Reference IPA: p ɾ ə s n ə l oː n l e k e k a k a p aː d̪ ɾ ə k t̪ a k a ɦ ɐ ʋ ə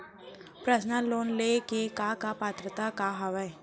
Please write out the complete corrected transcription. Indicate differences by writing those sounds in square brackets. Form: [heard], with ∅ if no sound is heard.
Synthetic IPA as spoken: p ɾ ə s n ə l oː n l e k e k a k a p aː [t̪] ɾ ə [∅] t̪ a k a ɦ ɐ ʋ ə